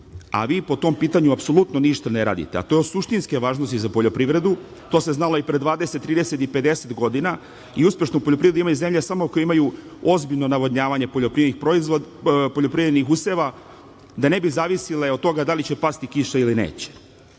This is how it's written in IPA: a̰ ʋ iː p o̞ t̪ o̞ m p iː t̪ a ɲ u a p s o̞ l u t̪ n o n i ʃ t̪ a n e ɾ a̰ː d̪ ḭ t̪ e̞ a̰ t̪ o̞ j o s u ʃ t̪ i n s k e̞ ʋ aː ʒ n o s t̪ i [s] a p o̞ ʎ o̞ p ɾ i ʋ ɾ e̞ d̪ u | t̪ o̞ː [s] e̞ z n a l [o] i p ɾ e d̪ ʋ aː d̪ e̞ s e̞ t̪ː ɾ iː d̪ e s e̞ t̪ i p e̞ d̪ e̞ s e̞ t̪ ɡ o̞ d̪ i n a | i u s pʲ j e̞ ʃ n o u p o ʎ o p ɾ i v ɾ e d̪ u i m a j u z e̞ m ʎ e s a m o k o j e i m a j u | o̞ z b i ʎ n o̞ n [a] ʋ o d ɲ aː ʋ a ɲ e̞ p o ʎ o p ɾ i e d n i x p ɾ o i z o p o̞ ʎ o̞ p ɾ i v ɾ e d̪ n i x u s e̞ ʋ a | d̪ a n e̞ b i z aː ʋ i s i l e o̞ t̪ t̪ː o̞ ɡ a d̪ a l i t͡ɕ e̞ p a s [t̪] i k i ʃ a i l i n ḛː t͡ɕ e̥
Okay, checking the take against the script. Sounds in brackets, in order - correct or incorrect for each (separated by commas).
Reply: incorrect, correct, correct, correct, correct